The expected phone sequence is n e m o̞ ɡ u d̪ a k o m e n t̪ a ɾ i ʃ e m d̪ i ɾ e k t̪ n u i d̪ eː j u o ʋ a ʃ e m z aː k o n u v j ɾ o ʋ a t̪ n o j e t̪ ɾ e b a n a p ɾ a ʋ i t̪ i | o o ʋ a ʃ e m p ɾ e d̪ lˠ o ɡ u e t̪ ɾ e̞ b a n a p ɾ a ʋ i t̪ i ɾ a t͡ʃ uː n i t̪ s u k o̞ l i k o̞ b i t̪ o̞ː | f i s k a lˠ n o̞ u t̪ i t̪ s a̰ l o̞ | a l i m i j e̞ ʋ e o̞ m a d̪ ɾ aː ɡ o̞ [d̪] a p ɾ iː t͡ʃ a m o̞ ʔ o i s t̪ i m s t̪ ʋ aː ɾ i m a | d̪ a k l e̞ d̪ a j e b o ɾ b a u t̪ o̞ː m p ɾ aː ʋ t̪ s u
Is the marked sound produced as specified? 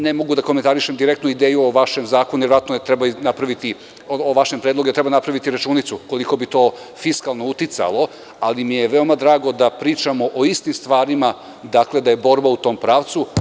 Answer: yes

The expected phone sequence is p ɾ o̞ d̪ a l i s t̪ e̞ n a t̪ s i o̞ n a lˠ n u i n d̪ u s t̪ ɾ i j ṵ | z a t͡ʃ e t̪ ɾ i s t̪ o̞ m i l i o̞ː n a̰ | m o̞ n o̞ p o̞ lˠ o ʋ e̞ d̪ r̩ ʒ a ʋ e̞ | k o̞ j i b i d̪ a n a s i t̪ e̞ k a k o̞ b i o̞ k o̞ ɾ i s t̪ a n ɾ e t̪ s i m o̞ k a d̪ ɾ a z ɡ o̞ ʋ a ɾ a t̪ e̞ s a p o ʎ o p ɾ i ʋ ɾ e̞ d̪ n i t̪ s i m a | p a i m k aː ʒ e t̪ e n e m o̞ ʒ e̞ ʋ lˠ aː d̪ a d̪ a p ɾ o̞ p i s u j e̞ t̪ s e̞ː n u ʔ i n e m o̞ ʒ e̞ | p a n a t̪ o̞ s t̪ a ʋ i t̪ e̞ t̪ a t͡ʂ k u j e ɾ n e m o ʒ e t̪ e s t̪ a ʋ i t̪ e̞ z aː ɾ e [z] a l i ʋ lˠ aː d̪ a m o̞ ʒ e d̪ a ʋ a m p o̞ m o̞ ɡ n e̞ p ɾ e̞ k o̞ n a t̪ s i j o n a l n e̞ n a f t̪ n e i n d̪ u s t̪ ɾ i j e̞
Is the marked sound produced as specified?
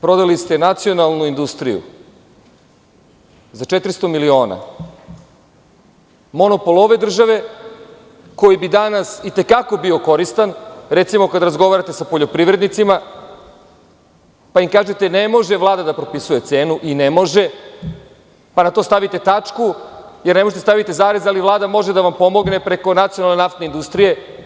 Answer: yes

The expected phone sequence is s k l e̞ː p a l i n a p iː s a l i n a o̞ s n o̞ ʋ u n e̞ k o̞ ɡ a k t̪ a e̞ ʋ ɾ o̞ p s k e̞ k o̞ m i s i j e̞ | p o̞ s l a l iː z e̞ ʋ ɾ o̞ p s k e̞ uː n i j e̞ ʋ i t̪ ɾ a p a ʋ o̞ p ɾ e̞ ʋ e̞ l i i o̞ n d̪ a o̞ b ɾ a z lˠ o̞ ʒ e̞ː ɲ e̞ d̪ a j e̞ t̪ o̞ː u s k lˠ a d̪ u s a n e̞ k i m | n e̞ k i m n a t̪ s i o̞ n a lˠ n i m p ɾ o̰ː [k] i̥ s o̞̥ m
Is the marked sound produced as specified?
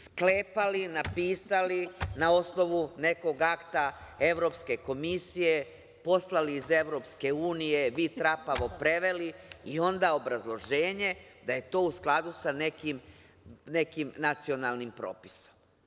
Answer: no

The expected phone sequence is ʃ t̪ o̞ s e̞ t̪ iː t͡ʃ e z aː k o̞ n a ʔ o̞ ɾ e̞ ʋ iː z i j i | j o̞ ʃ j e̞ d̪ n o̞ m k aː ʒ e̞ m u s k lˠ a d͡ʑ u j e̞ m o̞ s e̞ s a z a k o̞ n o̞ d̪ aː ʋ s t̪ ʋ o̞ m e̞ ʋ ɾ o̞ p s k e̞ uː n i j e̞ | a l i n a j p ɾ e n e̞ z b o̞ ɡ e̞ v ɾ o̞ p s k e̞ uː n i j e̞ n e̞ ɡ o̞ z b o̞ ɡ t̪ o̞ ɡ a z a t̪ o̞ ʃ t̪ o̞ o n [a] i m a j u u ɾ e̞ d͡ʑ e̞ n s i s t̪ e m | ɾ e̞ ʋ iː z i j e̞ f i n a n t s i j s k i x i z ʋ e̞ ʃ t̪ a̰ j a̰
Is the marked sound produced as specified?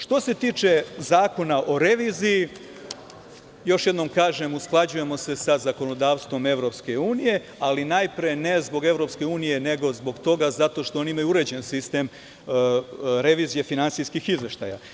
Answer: no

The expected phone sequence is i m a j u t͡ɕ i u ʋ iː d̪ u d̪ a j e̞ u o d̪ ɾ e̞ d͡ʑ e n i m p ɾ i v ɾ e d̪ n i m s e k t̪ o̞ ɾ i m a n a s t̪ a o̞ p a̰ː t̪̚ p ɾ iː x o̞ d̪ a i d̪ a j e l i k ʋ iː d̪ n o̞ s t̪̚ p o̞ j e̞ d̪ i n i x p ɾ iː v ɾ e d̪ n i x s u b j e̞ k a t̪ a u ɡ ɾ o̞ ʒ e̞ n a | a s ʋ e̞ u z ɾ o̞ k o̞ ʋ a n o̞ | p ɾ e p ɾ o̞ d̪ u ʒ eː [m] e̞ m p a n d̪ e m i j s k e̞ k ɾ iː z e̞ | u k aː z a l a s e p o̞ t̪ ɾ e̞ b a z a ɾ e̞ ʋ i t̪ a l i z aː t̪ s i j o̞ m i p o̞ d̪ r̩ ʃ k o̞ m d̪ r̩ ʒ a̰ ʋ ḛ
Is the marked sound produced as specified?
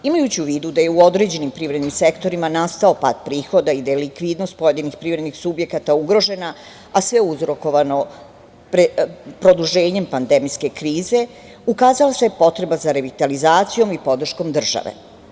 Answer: no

